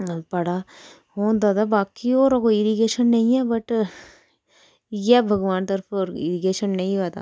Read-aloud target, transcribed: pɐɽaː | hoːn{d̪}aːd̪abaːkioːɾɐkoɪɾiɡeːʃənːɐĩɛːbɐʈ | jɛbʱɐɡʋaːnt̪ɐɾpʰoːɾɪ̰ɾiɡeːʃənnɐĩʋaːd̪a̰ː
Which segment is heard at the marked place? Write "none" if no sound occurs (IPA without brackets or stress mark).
d̪